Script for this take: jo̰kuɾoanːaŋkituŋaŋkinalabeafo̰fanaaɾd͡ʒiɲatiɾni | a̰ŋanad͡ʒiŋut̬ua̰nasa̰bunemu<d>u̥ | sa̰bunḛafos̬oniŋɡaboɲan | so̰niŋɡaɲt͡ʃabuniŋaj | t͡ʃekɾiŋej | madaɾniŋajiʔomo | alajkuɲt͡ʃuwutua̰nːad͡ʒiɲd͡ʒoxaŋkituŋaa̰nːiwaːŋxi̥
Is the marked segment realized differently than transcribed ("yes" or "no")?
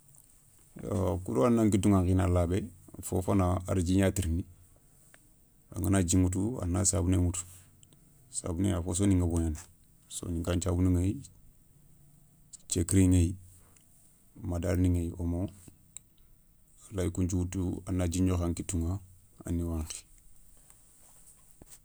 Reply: yes